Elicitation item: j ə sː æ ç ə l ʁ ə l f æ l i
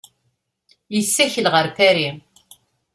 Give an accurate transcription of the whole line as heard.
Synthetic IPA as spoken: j ə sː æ ç ə l ʁ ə ɾ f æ ɾ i

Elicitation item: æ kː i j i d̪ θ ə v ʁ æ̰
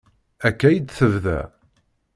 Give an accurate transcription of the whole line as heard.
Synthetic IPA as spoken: æ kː æ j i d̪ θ ə v ð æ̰

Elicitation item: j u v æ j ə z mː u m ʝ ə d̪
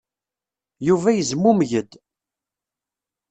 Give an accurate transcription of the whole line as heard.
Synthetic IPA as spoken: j u v æ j ə z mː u m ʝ ə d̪

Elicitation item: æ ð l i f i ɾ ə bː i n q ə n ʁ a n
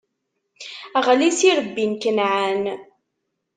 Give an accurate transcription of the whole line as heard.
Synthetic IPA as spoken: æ ʁ l i s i ɾ ə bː i n k ə n ʕ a n

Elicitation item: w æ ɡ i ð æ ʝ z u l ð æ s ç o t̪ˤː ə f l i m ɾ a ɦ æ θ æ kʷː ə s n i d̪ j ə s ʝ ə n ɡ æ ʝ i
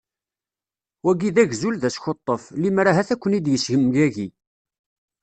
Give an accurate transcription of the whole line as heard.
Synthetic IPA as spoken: w æ ɡ i ð æ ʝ z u l ð æ s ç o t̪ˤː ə f l i m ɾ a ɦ æ θ æ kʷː ə n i d̪ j ə s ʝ ə m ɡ æ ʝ i

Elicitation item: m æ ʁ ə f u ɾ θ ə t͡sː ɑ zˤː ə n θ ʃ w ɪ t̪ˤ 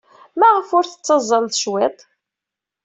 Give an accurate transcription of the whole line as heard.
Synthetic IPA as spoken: m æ ʁ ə f ʊ ɾ θ ə t͡sː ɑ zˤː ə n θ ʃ w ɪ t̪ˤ

